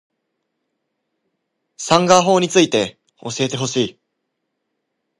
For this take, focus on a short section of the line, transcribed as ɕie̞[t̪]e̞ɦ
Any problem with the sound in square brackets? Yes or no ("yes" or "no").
no